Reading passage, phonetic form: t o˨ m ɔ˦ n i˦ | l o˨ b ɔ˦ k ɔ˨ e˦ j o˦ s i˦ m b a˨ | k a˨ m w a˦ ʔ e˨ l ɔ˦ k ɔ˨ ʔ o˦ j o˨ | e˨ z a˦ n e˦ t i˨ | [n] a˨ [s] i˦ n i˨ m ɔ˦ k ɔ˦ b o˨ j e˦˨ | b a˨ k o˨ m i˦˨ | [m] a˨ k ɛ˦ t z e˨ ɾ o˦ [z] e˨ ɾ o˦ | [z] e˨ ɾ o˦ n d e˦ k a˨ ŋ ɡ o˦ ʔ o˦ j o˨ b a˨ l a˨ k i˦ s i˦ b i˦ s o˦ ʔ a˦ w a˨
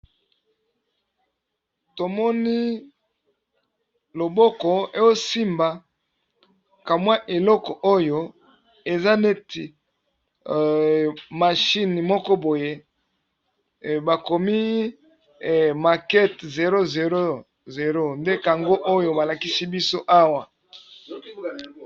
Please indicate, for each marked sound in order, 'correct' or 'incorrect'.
incorrect: m, incorrect: ʃ, correct, correct, correct

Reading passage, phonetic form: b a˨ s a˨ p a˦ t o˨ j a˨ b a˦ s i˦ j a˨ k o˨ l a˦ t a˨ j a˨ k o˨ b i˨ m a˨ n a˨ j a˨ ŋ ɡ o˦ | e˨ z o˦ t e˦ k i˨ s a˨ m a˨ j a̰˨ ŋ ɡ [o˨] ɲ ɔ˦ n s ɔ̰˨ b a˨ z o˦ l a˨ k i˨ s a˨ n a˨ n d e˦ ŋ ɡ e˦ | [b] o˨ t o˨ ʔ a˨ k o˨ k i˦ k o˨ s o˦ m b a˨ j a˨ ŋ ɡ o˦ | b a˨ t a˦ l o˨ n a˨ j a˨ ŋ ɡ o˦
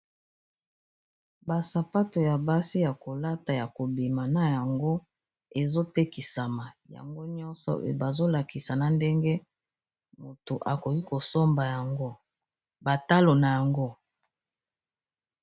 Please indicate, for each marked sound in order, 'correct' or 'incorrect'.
incorrect: o˦, incorrect: m

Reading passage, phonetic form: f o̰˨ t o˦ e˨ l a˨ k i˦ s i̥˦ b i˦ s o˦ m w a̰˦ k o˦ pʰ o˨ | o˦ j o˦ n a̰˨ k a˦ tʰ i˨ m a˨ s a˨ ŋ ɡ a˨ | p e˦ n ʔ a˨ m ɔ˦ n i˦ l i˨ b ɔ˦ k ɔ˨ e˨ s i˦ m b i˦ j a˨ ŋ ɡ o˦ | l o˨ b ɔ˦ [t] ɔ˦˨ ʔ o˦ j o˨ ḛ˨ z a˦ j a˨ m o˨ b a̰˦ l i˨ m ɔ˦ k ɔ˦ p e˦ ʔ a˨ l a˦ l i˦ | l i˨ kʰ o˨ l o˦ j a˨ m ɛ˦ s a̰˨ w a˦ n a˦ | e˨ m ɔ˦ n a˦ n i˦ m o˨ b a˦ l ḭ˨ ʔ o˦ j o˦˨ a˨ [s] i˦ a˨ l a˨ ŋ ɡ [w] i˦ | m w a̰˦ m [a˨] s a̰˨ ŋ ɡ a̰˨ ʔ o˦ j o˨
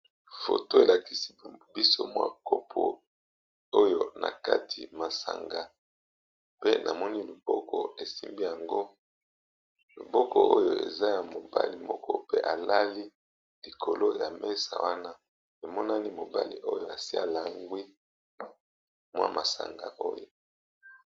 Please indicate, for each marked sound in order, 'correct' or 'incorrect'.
incorrect: k, correct, correct, correct

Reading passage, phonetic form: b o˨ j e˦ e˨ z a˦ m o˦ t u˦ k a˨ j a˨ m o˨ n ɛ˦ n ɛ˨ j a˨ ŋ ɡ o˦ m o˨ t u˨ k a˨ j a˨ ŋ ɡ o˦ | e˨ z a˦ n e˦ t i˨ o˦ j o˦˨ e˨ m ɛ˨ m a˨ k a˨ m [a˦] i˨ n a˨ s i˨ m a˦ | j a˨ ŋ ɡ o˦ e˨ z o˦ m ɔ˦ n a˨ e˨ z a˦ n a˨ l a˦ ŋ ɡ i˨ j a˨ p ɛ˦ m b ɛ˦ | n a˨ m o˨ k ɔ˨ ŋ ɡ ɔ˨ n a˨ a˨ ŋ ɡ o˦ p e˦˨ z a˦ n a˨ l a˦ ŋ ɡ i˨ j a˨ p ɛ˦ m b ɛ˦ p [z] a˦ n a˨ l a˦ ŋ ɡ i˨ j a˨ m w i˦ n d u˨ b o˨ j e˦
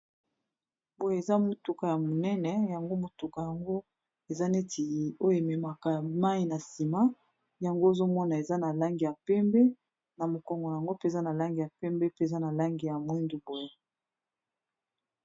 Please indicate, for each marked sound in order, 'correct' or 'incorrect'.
correct, correct

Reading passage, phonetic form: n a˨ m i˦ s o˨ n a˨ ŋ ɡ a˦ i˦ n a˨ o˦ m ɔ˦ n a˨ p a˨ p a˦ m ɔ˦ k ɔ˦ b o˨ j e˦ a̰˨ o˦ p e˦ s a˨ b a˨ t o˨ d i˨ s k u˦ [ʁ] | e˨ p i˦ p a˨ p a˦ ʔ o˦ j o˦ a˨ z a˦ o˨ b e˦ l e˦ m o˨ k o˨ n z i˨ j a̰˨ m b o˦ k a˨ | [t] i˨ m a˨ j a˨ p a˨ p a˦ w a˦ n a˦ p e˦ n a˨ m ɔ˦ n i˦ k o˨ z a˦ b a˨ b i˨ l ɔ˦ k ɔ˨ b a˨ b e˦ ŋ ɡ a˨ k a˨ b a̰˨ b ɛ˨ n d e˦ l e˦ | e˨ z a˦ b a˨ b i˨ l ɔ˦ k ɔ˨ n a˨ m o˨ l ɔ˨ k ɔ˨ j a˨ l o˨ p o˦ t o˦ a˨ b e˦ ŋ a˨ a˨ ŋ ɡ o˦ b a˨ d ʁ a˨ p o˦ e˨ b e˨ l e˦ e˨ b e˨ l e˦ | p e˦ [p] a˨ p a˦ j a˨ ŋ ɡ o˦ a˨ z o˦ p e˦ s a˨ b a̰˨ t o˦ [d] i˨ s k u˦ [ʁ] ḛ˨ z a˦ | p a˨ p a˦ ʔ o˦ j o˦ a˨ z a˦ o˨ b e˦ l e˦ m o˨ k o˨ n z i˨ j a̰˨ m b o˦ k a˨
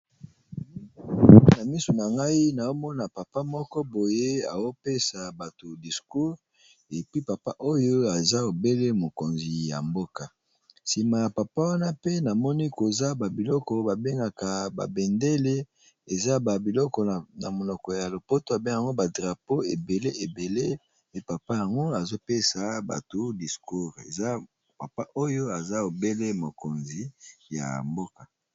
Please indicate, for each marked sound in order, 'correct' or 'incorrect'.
correct, incorrect: s, correct, correct, correct

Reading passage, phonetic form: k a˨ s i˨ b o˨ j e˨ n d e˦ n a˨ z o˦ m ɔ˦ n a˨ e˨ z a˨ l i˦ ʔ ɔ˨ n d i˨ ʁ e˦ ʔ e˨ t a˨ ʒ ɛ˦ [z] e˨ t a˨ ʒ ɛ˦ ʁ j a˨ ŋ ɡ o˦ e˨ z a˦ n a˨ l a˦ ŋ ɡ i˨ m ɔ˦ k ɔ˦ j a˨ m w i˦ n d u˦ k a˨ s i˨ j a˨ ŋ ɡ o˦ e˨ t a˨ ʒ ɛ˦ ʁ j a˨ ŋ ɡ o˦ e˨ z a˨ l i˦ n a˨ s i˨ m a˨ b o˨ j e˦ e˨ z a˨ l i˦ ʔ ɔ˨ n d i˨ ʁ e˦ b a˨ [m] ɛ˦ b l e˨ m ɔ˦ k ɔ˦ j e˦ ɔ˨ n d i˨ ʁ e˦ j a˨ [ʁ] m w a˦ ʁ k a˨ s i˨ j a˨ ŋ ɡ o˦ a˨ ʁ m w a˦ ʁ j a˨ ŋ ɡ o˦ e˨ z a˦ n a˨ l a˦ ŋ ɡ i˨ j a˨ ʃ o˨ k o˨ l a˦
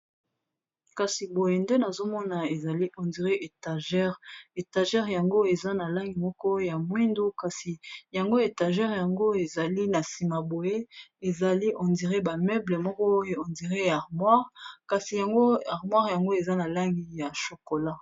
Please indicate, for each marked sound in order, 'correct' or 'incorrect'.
incorrect: ʁ, correct, correct

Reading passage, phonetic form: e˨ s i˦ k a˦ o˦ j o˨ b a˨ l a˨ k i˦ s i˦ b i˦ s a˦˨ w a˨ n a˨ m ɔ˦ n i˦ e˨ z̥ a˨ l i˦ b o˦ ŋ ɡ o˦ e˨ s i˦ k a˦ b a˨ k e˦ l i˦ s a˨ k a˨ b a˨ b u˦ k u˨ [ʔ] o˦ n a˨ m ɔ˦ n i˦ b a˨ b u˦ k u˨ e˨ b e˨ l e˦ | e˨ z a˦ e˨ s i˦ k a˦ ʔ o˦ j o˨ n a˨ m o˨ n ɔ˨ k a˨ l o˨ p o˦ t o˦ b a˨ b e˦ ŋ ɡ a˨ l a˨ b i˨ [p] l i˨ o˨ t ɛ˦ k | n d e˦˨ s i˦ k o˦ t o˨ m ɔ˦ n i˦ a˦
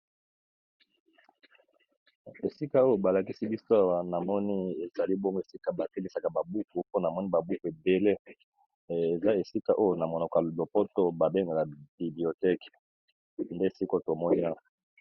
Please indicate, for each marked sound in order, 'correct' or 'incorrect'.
incorrect: p, incorrect: b

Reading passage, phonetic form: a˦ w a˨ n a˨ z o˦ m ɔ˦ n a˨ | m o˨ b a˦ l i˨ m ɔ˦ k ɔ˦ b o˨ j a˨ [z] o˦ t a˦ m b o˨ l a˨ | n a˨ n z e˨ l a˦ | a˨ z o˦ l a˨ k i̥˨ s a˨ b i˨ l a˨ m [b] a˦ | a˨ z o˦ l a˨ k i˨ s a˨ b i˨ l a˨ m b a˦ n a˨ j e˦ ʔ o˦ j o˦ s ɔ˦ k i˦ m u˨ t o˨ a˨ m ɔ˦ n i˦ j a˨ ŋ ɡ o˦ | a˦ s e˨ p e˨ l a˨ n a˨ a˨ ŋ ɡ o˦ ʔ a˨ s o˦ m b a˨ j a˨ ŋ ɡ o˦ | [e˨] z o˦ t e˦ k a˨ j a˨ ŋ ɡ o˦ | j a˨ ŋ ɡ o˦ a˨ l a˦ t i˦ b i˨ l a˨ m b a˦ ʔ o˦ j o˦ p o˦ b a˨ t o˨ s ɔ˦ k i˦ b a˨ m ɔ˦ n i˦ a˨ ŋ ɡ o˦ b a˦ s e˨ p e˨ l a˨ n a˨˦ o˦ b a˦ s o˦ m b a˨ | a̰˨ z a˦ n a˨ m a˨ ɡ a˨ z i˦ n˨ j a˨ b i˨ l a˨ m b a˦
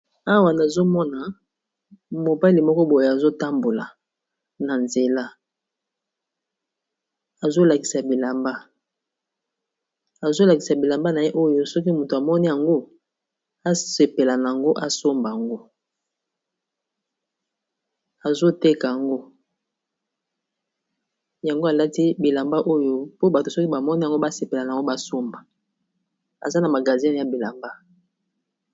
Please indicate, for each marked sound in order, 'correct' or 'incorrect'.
correct, correct, incorrect: a˨

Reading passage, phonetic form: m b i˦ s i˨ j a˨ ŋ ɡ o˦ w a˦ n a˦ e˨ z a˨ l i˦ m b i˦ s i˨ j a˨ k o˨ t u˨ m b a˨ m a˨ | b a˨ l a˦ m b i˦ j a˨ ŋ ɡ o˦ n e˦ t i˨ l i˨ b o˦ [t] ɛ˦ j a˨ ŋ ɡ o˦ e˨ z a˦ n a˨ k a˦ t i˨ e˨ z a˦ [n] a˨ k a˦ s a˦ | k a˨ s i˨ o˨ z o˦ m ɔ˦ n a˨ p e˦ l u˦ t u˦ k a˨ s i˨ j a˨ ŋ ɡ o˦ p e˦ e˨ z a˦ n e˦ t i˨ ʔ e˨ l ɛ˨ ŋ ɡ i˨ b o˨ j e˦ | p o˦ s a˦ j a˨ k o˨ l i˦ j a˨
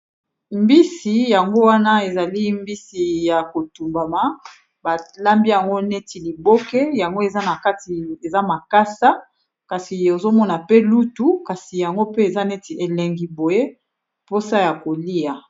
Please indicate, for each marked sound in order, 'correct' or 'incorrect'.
incorrect: k, incorrect: m

